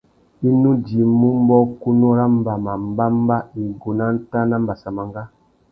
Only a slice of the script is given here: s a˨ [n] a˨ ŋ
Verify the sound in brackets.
incorrect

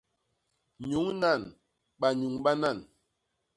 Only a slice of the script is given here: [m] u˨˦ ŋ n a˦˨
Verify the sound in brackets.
incorrect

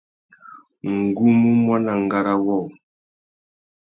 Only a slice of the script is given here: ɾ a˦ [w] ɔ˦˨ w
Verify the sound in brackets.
correct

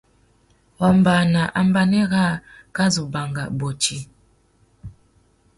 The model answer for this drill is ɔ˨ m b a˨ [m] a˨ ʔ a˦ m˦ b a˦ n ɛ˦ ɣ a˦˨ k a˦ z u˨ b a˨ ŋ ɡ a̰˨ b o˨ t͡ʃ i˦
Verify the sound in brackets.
incorrect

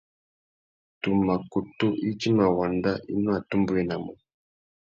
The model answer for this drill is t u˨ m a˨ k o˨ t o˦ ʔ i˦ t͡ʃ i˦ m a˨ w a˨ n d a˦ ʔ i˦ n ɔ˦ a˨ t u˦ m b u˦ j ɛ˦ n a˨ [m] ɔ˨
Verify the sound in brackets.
correct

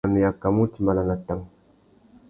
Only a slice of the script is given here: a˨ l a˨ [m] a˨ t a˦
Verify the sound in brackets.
incorrect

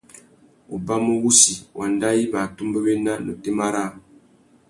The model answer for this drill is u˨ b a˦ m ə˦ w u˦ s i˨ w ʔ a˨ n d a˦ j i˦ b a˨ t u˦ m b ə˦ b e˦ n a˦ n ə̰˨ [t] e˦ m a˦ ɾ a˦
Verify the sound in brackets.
correct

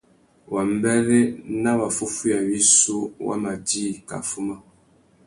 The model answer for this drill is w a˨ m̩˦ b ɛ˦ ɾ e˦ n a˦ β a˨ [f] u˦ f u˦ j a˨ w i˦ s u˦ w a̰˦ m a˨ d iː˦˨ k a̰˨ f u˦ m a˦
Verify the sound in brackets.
correct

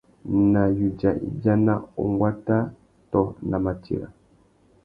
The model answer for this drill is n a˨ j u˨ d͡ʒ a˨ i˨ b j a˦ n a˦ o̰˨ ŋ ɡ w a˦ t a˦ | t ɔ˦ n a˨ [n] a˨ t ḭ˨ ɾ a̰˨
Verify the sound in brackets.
incorrect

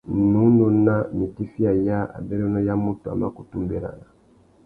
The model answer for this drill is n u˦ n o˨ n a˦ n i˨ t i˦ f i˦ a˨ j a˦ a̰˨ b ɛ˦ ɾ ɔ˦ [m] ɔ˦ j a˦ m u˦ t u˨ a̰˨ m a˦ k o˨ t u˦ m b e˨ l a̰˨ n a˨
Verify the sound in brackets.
incorrect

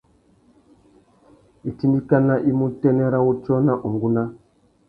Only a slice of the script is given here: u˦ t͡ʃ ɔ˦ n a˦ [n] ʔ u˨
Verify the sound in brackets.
incorrect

